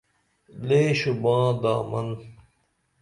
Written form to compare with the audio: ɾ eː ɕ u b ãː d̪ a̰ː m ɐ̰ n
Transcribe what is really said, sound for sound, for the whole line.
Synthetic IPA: l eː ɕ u b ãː d̪ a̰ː m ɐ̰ n

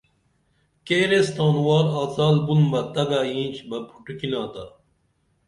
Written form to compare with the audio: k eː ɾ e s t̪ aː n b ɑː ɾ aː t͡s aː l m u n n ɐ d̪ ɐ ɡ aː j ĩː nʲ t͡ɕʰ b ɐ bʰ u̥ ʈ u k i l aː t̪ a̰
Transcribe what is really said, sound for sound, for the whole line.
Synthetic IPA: k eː ɾ e s t̪ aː n w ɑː ɾ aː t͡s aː l b u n m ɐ t̪ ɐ ɡ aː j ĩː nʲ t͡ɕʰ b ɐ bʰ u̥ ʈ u k i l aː t̪ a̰

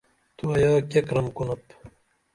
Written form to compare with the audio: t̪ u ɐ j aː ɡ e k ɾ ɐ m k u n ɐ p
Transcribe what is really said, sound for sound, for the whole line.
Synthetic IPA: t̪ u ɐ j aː k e k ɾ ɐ m k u n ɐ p

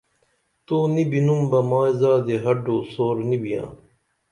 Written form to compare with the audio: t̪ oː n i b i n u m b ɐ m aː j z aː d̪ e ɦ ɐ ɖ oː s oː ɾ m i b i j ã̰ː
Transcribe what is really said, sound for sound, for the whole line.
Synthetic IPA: t̪ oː n i b i n u m b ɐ m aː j z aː d̪ e ɦ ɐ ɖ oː s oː ɾ n i b i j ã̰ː

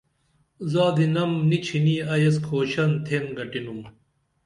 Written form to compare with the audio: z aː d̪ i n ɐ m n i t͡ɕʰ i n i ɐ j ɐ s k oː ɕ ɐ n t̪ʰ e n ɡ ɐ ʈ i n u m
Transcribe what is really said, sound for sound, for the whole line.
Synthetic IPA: z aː d̪ i n ɐ m n i t͡ɕʰ i n i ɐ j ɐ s kʰ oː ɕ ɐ n t̪ʰ e n ɡ ɐ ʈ i n u m

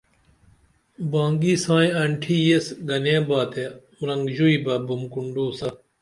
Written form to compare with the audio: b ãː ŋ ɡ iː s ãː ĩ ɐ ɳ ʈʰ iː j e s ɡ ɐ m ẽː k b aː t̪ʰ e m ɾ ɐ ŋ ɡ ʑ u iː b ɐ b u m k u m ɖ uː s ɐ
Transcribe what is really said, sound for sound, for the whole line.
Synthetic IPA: b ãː ŋ ɡ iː s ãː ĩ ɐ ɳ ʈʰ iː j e s ɡ ɐ n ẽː b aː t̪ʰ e m ɾ ɐ ŋ ɡ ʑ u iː b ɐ b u m k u ɳ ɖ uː s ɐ

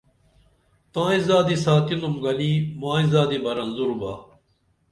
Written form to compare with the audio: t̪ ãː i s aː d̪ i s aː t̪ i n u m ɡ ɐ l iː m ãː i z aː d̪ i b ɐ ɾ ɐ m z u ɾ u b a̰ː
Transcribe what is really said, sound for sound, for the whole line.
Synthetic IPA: t̪ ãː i z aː d̪ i s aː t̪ i n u m ɡ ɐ l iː m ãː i z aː d̪ i b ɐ ɾ ɐ n z u ɾ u b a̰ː

